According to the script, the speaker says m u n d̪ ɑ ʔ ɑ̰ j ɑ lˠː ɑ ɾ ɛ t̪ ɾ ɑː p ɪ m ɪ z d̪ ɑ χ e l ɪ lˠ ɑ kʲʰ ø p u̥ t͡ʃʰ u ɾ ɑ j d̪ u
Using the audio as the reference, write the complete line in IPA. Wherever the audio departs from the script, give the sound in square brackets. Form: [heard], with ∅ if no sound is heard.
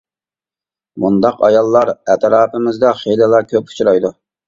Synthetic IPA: m u n d̪ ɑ [q] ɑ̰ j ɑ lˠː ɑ ɾ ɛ t̪ ɾ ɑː p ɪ m ɪ z d̪ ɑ χ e l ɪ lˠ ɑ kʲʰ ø p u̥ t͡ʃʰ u ɾ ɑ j d̪ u